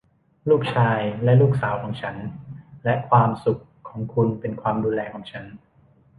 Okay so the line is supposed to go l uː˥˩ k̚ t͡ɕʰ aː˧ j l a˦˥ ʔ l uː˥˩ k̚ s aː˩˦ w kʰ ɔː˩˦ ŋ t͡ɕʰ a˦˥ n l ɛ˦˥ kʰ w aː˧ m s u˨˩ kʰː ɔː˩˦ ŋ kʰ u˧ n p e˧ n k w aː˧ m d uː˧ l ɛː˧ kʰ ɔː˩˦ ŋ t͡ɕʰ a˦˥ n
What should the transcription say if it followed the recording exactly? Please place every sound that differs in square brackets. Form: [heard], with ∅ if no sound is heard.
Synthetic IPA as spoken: l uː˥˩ k̚ t͡ɕʰ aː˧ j l [ɛ˦˥] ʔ l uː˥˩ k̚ s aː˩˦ w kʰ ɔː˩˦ ŋ t͡ɕʰ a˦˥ n l ɛ˦˥ kʰ w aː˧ m s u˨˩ kʰː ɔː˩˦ ŋ kʰ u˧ n p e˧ n [kʰ] w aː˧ m d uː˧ l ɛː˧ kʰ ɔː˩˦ ŋ t͡ɕʰ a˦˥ n